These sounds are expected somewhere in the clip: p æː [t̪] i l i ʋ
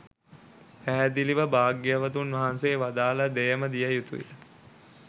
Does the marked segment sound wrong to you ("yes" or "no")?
yes